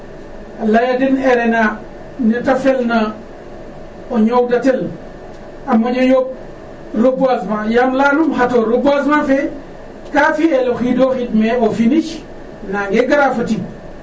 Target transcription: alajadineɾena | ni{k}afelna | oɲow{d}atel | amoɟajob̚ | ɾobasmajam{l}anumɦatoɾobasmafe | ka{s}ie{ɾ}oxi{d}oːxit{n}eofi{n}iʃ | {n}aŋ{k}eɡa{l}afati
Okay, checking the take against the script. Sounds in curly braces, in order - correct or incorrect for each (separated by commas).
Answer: incorrect, correct, correct, incorrect, incorrect, correct, incorrect, correct, correct, incorrect, incorrect